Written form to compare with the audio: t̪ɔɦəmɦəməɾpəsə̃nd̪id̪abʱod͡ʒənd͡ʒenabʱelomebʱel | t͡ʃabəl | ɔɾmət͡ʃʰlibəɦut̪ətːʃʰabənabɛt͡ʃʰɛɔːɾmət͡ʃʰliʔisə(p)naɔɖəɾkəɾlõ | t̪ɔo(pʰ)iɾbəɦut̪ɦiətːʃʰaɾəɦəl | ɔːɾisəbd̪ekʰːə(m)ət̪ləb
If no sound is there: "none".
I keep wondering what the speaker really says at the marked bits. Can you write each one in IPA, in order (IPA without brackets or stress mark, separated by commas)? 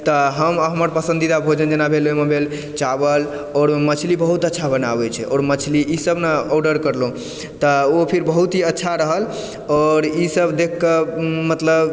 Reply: b, pʰ, m